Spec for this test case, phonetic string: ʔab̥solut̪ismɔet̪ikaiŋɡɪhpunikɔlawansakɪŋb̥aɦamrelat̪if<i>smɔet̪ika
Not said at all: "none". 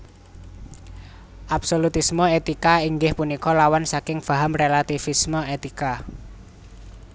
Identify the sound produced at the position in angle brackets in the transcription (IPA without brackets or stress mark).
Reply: i